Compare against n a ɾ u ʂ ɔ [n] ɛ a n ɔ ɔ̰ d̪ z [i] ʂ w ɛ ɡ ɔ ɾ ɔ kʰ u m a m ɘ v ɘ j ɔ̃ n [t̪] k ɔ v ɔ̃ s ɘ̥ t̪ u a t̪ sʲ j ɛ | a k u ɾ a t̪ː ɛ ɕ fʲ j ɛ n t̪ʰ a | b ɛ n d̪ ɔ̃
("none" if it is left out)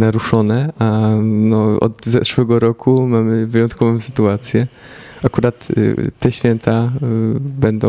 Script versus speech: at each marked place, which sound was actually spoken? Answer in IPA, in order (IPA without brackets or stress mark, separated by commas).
n, ɛ, t̪